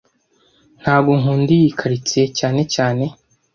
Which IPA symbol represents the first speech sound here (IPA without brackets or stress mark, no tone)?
n̥